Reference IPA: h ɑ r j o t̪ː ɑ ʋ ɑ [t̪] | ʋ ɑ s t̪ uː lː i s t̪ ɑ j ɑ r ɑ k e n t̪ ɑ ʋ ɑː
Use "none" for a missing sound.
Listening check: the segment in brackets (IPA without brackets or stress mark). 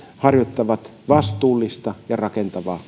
t̪